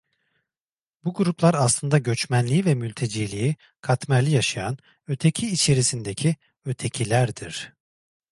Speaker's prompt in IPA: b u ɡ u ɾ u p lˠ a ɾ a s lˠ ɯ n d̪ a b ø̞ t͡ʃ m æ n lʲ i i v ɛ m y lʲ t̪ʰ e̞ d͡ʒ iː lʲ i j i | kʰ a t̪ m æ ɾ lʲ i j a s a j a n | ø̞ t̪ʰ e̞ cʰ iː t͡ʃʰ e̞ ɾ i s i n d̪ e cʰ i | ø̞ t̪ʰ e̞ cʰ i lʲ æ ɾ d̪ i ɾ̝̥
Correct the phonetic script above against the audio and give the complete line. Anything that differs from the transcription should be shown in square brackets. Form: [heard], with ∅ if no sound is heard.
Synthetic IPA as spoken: b u ɡ u ɾ u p lˠ a ɾ a s lˠ ɯ n d̪ a [ɟ] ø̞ t͡ʃ m æ n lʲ i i v ɛ m y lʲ t̪ʰ e̞ d͡ʒ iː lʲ i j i | kʰ a t̪ m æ ɾ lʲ i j a [ʃ] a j a n | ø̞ t̪ʰ e̞ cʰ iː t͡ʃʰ e̞ ɾ i s i n d̪ e cʰ i | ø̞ t̪ʰ e̞ cʰ i lʲ æ ɾ d̪ i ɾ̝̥